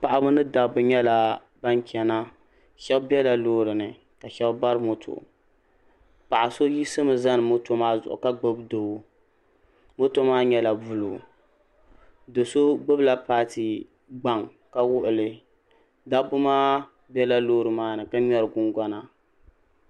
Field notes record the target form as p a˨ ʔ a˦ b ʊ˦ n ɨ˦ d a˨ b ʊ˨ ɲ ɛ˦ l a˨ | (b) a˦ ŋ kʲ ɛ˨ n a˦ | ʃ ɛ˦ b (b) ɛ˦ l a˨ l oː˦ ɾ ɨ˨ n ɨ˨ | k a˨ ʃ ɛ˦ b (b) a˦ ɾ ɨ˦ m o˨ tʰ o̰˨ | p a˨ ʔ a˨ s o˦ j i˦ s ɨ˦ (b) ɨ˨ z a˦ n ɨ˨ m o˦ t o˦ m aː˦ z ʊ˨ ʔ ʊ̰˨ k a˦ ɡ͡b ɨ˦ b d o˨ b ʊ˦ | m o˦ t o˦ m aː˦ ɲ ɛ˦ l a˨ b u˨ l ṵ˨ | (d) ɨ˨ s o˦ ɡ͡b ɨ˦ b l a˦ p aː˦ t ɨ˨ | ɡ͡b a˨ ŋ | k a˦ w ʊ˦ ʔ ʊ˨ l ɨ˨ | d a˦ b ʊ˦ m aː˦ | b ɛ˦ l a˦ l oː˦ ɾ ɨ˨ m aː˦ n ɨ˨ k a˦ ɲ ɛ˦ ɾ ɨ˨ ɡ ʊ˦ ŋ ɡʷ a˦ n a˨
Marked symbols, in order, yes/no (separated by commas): yes, yes, yes, no, yes